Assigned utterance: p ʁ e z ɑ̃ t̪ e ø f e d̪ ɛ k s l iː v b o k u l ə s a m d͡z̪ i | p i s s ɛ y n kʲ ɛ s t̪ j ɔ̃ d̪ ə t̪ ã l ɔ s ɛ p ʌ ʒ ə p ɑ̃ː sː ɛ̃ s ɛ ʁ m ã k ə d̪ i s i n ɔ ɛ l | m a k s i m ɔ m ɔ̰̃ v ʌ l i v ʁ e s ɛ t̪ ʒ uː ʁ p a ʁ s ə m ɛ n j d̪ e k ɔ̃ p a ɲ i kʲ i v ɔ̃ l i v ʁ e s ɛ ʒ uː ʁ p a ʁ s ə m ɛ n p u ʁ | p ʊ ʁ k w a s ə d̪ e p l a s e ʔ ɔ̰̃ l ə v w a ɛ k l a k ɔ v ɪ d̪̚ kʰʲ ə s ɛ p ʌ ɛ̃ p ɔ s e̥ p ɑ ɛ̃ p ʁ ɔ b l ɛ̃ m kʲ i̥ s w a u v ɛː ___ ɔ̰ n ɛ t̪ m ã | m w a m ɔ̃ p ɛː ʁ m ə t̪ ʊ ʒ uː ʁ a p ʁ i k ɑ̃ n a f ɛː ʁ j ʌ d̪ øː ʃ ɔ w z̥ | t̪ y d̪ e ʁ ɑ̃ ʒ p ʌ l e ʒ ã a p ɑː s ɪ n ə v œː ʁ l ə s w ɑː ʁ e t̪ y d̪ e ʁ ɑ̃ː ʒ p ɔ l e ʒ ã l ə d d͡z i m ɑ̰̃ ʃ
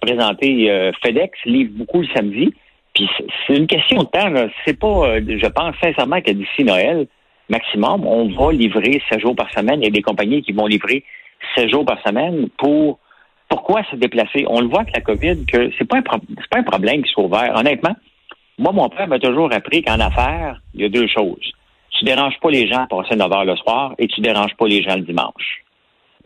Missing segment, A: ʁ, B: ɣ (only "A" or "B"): A